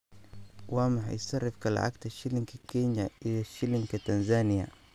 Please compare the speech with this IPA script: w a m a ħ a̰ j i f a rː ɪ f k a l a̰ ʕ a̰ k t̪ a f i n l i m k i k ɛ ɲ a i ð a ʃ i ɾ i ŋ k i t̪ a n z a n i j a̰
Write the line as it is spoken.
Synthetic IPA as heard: w a m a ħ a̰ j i s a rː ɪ f k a l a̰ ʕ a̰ k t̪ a ʃ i l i ŋ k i k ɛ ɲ a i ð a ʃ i l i ŋ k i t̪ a n z a n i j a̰